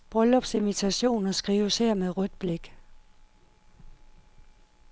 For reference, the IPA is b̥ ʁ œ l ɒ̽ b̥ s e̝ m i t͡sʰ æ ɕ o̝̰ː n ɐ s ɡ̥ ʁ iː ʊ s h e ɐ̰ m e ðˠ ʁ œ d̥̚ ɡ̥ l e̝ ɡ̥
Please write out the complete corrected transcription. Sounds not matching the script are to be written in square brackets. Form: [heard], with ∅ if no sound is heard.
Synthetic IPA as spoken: b̥ ʁ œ l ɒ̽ b̥ s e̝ m i t͡sʰ æ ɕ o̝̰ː n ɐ s ɡ̥ ʁ iː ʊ s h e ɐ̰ m e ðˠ ʁ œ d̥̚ [b̥] l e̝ ɡ̥